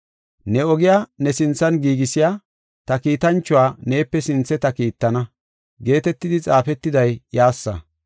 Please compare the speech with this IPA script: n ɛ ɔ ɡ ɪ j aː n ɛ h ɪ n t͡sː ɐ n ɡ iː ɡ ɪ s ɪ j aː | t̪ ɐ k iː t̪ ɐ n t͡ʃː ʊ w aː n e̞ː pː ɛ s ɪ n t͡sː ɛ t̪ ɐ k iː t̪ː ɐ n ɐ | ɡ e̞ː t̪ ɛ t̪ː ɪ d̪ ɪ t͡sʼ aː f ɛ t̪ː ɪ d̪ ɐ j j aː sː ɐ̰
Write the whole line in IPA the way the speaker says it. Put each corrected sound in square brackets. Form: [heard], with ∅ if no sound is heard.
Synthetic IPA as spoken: n ɛ ɔ ɡ ɪ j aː n ɛ [s] ɪ n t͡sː ɐ n ɡ iː ɡ ɪ s ɪ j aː | t̪ ɐ k iː t̪ ɐ n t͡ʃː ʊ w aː n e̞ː pː ɛ s ɪ n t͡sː ɛ t̪ ɐ k iː t̪ː ɐ n ɐ | ɡ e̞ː t̪ ɛ t̪ː ɪ d̪ ɪ t͡sʼ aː f ɛ t̪ː ɪ d̪ ɐ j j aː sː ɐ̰